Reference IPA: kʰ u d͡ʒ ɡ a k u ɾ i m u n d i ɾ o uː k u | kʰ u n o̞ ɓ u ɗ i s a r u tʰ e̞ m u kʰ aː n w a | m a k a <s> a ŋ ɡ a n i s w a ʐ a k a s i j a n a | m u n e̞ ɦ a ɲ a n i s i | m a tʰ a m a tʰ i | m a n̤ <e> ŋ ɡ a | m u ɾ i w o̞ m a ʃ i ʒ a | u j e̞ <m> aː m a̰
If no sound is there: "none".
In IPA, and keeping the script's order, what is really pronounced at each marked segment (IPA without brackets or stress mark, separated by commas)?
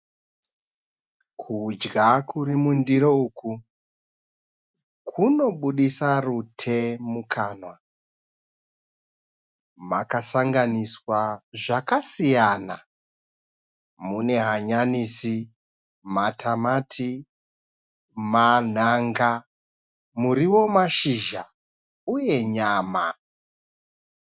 s, a, ɲ